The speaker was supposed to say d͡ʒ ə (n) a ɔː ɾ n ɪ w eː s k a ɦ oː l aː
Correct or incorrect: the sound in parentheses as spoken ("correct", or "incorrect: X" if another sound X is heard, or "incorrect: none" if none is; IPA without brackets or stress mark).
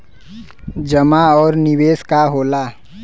incorrect: m